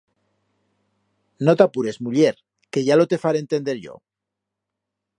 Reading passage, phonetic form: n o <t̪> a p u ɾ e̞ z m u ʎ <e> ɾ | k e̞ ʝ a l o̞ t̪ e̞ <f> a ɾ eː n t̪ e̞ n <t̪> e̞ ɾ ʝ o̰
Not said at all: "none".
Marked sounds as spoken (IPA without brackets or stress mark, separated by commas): t̪, e, f, d̪